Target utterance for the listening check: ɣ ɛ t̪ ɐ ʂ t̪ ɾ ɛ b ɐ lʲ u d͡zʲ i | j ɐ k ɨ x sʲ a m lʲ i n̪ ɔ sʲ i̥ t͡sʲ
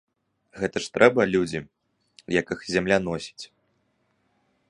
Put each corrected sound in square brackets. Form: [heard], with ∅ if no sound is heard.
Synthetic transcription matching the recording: ɣ ɛ t̪ ɐ ʂ t̪ ɾ ɛ b ɐ lʲ u d͡zʲ i | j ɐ k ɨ x [zʲ] a m lʲ [a] n̪ ɔ sʲ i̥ t͡sʲ

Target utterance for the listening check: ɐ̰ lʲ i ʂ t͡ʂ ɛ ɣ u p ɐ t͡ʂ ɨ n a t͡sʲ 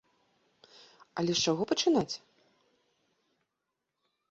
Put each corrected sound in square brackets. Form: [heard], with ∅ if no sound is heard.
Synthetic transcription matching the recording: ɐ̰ lʲ [ɛ] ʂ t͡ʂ [a] ɣ [ɔ] p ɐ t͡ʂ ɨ n a t͡sʲ

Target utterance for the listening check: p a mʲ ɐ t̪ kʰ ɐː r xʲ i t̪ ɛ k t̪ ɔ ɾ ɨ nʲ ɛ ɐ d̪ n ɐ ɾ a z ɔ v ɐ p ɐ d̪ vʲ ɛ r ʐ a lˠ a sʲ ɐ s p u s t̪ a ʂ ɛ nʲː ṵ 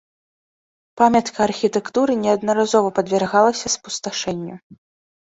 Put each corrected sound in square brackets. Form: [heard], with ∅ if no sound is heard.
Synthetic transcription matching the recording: p a mʲ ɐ t̪ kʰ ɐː r xʲ i t̪ ɛ k t̪ [u] ɾ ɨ nʲ ɛ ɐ d̪ n ɐ ɾ a z ɔ v ɐ p ɐ d̪ vʲ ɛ r [ɣ] a lˠ [ɐ] sʲ ɐ s p u s t̪ a ʂ ɛ nʲː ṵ

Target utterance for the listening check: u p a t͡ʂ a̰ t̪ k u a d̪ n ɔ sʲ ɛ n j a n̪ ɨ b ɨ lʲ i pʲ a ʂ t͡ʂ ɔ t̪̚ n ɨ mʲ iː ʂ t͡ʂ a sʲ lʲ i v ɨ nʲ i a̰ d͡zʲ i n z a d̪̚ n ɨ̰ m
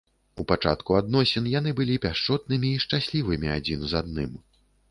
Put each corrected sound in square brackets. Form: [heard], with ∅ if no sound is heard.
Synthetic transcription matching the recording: u p a t͡ʂ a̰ t̪ k u a d̪ n ɔ sʲ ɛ n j a n̪ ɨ b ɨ lʲ i pʲ a ʂ t͡ʂ ɔ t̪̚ n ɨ mʲ iː ʂ t͡ʂ a sʲ lʲ i v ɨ [mʲ] i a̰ d͡zʲ i n z a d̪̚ n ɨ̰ m

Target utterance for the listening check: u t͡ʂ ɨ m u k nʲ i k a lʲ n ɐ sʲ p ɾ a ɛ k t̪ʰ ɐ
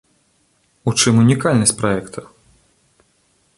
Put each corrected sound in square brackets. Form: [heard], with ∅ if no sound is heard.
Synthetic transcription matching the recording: u t͡ʂ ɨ m u [∅] nʲ i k a lʲ n ɐ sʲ p ɾ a ɛ k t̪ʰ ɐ

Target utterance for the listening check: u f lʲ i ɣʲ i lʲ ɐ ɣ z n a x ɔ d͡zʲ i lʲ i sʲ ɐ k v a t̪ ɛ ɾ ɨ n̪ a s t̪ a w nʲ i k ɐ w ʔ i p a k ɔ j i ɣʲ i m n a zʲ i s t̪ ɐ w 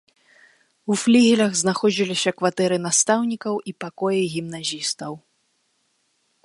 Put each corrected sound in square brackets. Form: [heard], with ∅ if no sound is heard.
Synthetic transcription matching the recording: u f lʲ i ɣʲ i lʲ ɐ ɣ z n a x ɔ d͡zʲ i lʲ i sʲ ɐ k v a t̪ ɛ ɾ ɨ n̪ a s t̪ a w nʲ i k ɐ w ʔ i p a k ɔ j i ɣʲ i m n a zʲ i s t̪ ɐ w

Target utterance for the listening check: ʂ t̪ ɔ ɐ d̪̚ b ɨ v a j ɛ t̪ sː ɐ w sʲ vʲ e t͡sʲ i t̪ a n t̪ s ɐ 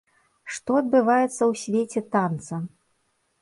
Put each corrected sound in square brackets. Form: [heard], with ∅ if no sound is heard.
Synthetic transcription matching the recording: ʂ t̪ ɔ ɐ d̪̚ b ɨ v a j ɛ t̪ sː ɐ w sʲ vʲ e t͡sʲ [ɛ] t̪ a n t̪ s ɐ

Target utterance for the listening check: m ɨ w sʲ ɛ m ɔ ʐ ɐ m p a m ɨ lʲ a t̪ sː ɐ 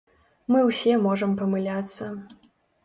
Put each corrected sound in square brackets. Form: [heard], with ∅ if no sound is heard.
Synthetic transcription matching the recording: m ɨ w sʲ ɛ m ɔ ʐ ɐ m p [ɐ] m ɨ lʲ a t̪ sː ɐ

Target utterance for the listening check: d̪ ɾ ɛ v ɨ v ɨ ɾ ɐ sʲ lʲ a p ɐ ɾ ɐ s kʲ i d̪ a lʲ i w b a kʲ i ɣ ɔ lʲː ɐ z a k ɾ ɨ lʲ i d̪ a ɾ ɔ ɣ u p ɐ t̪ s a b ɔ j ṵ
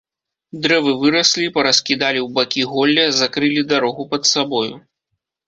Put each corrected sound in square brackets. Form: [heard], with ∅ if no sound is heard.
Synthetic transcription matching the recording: d̪ ɾ ɛ v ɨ v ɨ ɾ ɐ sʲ lʲ [i] p ɐ ɾ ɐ s kʲ i d̪ a lʲ i w b a kʲ i ɣ ɔ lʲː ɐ z a k ɾ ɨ lʲ i d̪ a ɾ ɔ ɣ u p ɐ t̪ s a b ɔ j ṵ

